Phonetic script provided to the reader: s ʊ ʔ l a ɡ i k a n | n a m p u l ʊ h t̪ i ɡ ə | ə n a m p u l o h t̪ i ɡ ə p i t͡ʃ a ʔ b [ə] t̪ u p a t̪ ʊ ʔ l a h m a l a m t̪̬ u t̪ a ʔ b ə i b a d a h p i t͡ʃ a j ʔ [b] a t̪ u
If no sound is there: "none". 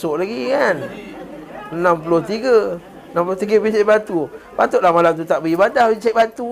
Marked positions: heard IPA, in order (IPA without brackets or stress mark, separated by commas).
a, b